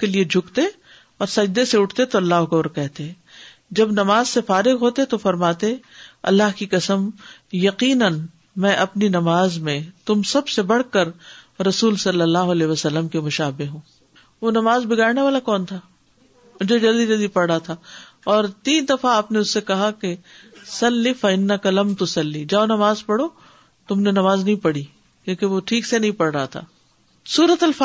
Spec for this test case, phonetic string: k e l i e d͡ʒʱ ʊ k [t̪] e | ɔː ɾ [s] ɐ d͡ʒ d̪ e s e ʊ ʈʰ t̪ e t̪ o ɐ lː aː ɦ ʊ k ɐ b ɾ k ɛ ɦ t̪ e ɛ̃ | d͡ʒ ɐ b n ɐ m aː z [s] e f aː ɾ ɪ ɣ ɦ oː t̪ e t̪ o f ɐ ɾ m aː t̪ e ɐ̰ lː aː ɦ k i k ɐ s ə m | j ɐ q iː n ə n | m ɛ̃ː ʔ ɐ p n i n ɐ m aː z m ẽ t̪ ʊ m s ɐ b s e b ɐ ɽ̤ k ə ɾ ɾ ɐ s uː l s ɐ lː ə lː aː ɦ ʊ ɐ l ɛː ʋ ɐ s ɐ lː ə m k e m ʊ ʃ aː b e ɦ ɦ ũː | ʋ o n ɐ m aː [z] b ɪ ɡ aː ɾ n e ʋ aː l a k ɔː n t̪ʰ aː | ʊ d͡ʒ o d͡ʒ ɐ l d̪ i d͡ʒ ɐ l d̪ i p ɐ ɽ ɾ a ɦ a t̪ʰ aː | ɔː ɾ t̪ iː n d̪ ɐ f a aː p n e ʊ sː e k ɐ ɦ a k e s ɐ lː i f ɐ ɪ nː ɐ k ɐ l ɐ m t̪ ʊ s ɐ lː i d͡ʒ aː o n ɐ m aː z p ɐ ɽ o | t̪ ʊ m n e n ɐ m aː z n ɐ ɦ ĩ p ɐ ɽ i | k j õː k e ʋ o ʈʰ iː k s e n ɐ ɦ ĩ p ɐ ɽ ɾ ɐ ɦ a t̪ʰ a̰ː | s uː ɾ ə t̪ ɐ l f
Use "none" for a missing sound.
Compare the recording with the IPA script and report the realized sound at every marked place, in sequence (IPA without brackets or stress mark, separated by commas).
t̪, s, s, z